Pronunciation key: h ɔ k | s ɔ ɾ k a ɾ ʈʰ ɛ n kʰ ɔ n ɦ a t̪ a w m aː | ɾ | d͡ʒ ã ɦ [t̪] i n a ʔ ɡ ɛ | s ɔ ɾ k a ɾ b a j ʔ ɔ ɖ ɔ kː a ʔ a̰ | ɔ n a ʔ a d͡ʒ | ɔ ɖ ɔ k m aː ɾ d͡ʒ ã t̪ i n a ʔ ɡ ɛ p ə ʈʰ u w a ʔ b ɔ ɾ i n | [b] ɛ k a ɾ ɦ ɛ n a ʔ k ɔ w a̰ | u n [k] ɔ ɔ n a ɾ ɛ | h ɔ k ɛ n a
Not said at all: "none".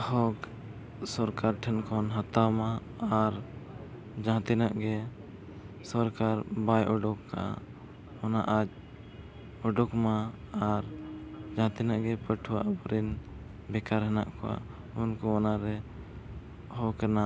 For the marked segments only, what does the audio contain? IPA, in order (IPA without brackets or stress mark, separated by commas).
t̪, b, k